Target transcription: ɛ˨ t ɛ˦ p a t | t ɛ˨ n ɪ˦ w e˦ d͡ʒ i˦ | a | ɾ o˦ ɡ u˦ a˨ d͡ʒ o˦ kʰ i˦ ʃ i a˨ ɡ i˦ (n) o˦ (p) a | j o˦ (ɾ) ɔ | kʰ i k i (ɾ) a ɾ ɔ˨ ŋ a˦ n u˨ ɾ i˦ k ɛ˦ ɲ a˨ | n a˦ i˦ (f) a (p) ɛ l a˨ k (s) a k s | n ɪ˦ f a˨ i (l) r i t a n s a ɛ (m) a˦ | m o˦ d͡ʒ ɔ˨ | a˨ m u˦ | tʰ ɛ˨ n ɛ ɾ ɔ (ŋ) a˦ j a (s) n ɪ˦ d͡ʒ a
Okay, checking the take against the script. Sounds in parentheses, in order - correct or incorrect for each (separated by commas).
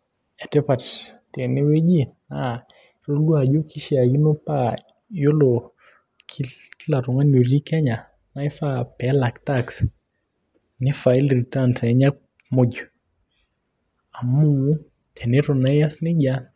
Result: correct, correct, incorrect, incorrect, correct, correct, incorrect, correct, incorrect, incorrect, correct